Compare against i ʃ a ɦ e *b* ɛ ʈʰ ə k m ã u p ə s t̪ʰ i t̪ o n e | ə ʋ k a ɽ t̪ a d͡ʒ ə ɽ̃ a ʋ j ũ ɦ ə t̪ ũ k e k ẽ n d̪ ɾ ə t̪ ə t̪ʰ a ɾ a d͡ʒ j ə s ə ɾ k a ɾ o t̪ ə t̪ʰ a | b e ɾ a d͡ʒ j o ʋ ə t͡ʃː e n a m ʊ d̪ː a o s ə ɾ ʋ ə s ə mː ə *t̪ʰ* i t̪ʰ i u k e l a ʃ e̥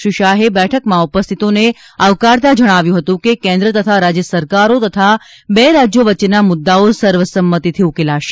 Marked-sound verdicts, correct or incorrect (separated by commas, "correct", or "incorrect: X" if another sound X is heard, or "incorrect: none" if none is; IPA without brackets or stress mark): correct, incorrect: t̪